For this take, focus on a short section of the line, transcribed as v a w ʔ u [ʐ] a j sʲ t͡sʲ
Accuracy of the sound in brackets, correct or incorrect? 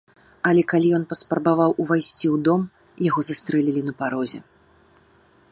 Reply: incorrect: v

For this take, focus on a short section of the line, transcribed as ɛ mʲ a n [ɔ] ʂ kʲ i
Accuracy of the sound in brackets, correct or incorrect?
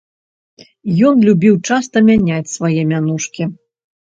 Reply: incorrect: u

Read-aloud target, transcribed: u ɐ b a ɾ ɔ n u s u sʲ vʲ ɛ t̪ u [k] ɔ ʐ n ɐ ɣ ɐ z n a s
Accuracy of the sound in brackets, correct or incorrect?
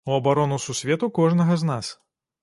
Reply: correct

